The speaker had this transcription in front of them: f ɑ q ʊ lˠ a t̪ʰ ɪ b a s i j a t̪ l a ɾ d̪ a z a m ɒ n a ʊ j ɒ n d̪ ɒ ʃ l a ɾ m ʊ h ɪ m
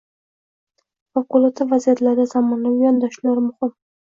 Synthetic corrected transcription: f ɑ q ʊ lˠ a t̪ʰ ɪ v a z i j a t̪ l a ɾ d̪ a z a m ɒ n a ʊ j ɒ n d̪ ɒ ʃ l a ɾ m ʊ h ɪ m